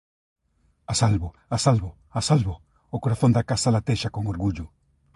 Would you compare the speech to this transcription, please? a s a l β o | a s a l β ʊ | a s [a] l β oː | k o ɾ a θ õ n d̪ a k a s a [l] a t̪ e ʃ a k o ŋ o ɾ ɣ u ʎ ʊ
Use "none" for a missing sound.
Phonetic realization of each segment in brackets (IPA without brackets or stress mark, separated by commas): a, l